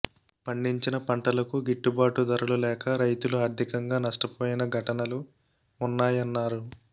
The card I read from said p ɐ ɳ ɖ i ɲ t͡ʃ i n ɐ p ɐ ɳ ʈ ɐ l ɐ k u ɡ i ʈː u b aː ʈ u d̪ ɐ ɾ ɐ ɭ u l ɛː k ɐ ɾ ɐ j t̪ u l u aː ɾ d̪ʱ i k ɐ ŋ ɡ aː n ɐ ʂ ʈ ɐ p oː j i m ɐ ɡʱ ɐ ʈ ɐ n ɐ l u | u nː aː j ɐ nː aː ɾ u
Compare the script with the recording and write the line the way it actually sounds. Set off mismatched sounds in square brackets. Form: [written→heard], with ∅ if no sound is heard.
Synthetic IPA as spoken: p ɐ ɳ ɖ i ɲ t͡ʃ i n ɐ p ɐ ɳ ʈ ɐ l ɐ k u ɡ i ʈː u b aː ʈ u d̪ ɐ ɾ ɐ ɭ u l ɛː k ɐ ɾ ɐ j t̪ u l u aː ɾ d̪ʱ i k ɐ ŋ ɡ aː n ɐ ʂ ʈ ɐ p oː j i [m→n] ɐ ɡʱ ɐ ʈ ɐ n ɐ l u | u nː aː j ɐ nː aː ɾ u